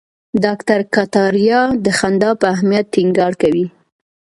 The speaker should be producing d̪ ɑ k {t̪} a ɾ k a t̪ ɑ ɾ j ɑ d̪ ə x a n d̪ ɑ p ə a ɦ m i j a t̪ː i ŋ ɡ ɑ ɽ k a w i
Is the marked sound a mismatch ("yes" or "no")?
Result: no